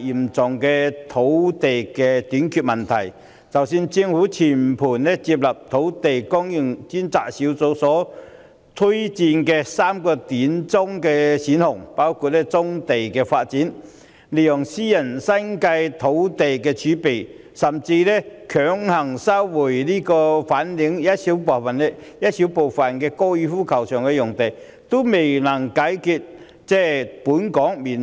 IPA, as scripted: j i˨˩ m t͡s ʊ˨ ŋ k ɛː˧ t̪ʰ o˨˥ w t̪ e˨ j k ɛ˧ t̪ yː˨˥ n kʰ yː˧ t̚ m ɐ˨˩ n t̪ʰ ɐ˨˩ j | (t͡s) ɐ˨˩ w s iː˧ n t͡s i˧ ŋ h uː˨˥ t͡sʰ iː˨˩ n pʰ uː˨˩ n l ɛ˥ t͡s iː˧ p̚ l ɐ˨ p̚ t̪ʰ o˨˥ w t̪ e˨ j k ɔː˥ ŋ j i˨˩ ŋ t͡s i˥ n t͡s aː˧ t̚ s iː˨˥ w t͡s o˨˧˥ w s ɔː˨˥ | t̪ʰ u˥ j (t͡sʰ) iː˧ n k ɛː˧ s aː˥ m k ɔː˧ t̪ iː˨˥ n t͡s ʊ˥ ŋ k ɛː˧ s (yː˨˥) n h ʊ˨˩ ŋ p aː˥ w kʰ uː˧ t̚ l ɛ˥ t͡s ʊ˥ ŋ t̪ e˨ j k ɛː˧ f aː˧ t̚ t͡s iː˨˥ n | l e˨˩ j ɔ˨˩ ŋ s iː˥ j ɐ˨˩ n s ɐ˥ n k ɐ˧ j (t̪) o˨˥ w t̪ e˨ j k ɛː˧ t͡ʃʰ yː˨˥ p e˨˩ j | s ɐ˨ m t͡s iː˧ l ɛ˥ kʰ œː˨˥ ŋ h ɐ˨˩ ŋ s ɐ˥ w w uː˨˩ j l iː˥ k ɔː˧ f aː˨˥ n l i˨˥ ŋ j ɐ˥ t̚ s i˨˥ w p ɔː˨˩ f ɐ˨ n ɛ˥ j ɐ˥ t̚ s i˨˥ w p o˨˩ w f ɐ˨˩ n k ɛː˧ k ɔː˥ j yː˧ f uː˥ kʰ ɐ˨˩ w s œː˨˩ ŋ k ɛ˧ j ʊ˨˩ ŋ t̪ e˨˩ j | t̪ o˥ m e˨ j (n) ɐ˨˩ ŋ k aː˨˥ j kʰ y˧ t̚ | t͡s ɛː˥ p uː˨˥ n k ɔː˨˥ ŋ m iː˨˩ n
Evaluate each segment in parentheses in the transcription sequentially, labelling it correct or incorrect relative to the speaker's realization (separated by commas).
correct, incorrect, incorrect, incorrect, correct